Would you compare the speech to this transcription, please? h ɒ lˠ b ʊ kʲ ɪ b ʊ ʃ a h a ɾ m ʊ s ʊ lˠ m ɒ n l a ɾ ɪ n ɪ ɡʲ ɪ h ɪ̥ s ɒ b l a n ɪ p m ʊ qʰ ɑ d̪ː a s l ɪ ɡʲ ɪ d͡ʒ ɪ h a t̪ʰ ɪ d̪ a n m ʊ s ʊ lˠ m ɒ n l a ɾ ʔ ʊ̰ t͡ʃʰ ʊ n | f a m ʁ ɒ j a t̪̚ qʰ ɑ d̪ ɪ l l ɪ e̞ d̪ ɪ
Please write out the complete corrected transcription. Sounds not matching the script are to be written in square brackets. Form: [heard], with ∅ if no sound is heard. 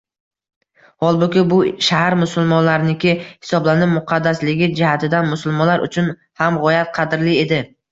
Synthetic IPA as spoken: h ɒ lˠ b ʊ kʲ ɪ b ʊ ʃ a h a ɾ m ʊ s ʊ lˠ m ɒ n l a ɾ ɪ n ɪ [kʲ] ɪ h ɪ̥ s ɒ b l a n ɪ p m ʊ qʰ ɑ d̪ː a s l ɪ ɡʲ ɪ d͡ʒ ɪ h a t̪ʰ ɪ d̪ a n m ʊ s ʊ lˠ m ɒ n l a ɾ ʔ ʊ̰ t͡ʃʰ ʊ n | [h] a m ʁ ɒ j a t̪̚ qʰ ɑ d̪ ɪ [ɾ] l ɪ e̞ d̪ ɪ